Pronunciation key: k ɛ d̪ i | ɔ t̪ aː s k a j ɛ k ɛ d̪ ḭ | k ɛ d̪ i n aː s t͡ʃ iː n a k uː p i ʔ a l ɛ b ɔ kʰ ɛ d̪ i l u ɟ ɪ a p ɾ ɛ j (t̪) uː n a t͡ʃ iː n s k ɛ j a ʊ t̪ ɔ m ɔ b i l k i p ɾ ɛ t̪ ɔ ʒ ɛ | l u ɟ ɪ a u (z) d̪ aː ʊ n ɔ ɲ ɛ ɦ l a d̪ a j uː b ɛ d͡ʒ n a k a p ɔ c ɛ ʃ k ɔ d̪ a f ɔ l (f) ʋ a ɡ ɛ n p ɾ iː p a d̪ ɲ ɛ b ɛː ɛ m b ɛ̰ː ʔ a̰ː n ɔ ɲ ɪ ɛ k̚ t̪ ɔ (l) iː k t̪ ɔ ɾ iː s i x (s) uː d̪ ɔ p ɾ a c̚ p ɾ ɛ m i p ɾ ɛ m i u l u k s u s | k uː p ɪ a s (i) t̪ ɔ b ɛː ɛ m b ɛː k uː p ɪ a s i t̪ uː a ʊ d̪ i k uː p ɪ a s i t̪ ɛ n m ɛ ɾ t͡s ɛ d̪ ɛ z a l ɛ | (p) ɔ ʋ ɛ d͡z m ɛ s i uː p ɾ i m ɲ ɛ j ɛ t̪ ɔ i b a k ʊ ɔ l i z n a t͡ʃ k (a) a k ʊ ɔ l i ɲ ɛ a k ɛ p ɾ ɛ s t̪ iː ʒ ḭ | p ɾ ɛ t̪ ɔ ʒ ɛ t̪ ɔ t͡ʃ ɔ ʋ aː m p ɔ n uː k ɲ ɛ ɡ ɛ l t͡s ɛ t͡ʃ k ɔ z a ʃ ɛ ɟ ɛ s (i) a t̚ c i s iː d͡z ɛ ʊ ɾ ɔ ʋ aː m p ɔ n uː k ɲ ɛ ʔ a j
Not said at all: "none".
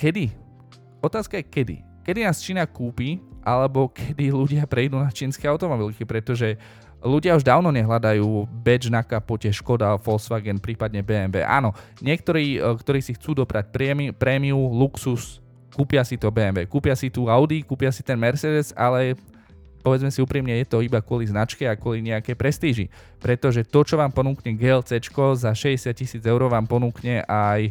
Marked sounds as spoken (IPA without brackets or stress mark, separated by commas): d̪, ʒ, s, ɾ, t͡s, i, p, ɛ, ɪ